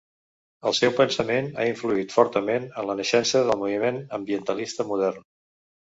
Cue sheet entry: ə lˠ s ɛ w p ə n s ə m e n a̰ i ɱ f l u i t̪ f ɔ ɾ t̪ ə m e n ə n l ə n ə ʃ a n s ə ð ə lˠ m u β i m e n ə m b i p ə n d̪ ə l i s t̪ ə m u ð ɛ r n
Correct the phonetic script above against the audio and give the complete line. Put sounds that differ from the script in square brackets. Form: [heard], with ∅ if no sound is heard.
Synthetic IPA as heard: ə lˠ s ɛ w p ə n s ə m e n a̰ i ɱ f l u i t̪ f ɔ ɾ t̪ ə m e n ə n l ə n ə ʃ [ɛ] n s ə ð ə lˠ m u β i m e n ə m b i [∅] ə n [t̪] ə l i s t̪ ə m u ð ɛ r n